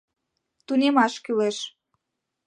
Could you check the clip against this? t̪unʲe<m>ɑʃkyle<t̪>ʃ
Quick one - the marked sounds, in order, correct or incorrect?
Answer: correct, incorrect

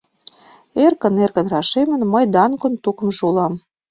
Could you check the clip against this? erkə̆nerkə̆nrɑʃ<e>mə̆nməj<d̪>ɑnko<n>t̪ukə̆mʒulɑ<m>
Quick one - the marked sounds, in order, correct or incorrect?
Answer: correct, correct, correct, correct

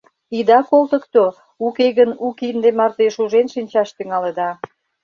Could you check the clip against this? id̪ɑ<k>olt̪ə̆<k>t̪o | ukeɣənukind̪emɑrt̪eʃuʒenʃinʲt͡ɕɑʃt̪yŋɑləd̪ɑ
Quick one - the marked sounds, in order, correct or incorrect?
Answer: correct, correct

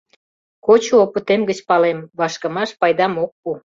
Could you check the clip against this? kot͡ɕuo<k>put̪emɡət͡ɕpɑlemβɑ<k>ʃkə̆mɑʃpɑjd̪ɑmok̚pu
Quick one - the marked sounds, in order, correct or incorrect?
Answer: incorrect, incorrect

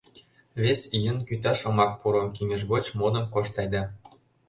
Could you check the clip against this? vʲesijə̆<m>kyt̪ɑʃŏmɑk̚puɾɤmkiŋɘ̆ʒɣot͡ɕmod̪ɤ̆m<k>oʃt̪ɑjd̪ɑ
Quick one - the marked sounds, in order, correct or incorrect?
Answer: incorrect, correct

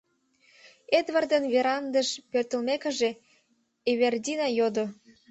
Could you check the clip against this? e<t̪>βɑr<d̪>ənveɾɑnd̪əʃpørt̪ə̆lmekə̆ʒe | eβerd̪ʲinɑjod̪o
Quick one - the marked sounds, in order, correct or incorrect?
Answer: incorrect, correct

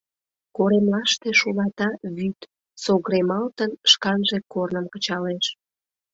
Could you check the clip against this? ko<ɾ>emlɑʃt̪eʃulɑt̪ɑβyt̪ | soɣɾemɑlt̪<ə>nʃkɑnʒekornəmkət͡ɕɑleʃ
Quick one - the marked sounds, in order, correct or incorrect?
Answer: correct, correct

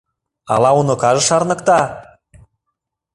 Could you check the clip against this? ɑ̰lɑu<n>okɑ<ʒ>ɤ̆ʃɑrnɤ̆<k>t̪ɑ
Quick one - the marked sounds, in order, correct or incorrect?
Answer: correct, correct, correct

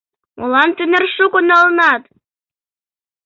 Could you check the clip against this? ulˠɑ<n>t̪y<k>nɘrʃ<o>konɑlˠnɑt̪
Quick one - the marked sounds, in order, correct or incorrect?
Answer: correct, incorrect, incorrect

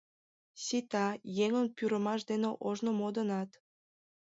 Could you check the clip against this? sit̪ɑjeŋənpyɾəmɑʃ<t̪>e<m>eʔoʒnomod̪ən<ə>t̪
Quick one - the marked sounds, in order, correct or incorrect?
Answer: incorrect, incorrect, incorrect

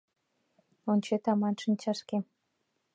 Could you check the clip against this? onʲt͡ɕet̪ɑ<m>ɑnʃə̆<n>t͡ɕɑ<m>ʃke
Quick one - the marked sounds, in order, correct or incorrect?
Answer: correct, correct, incorrect

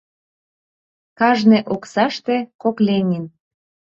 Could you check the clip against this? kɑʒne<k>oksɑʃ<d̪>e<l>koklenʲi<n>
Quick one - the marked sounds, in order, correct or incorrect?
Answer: incorrect, incorrect, incorrect, correct

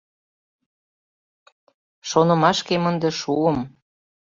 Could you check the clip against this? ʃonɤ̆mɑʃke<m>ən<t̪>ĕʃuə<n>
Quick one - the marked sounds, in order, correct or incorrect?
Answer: correct, incorrect, incorrect

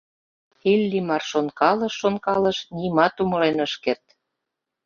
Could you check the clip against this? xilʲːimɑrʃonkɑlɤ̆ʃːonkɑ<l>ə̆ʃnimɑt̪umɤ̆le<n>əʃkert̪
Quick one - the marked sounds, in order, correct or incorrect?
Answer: correct, correct

